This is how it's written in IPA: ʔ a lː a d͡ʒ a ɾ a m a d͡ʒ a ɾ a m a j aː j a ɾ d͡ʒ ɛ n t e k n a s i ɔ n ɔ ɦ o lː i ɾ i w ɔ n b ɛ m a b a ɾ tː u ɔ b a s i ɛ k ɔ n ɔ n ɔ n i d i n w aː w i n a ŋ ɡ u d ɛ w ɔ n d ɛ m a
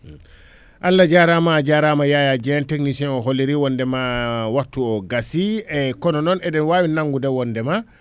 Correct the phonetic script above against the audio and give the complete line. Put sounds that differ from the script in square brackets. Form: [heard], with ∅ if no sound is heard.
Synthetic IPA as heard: ʔ a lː a d͡ʒ a ɾ a m a d͡ʒ a ɾ a m a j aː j a [∅] d͡ʒ ɛ n t e k n [i] s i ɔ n ɔ ɦ o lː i ɾ i w ɔ n [d] ɛ m a [w] a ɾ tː u ɔ [ɡ] a s i ɛ k ɔ n ɔ n ɔ n [ɛ] d [ɛ] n w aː w i n a ŋ ɡ u d ɛ w ɔ n d ɛ m a